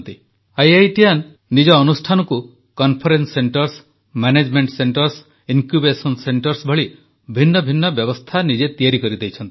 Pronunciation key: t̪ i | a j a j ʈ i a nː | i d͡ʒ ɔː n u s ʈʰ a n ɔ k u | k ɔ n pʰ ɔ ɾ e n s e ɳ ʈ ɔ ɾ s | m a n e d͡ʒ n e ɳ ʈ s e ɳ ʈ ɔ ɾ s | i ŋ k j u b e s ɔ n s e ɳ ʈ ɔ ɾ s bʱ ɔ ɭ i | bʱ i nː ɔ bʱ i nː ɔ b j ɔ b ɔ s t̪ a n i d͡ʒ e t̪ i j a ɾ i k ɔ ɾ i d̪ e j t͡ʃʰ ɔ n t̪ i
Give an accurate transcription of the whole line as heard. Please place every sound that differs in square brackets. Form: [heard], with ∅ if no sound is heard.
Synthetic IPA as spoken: t̪ i | a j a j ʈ i a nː | i d͡ʒ ɔː n u s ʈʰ a n ɔ k u | k ɔ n pʰ ɔ ɾ e n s e ɳ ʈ ɔ ɾ s | m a n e d͡ʒ [m] e ɳ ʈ s e ɳ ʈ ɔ ɾ s | i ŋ k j u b e s ɔ n s e ɳ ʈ ɔ ɾ s bʱ ɔ ɭ i | bʱ i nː ɔ bʱ i nː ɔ b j ɔ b ɔ s [t̪ʰ] a n i d͡ʒ e t̪ i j a ɾ i k ɔ ɾ i d̪ e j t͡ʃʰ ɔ n t̪ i